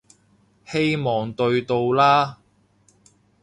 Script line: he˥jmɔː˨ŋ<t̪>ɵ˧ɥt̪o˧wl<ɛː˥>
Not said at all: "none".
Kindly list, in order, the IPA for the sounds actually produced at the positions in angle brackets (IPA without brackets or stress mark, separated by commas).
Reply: t̪, aː˥